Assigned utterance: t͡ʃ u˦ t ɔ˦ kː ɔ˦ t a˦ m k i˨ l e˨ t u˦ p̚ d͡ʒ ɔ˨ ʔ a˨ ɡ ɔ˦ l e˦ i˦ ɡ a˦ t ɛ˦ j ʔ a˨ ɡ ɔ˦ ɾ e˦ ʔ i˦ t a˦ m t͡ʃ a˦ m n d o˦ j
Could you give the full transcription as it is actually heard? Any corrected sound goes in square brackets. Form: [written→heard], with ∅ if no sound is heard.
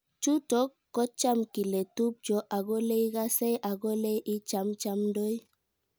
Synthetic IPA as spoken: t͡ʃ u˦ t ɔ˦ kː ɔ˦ [t→t͡ʃ] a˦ m k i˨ l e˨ t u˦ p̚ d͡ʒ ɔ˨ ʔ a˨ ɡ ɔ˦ l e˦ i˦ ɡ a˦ [t→s] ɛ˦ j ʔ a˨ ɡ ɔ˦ [ɾ→l] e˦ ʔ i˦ [t→t͡ʃ] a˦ m t͡ʃ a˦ m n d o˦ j